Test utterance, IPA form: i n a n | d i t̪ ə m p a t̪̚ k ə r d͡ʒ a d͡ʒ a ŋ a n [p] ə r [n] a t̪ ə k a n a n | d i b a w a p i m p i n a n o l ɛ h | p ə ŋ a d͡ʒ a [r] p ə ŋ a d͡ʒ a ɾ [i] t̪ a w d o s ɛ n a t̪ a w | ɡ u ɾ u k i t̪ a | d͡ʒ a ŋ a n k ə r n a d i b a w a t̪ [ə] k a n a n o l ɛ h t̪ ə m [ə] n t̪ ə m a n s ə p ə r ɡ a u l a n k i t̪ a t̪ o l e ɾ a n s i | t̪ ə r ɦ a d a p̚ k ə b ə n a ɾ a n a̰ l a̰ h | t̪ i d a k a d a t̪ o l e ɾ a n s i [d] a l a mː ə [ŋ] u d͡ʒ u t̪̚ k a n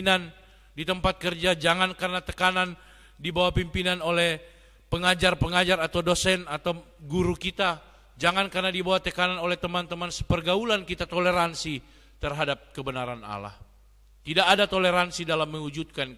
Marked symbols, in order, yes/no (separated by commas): no, yes, yes, no, yes, no, yes, yes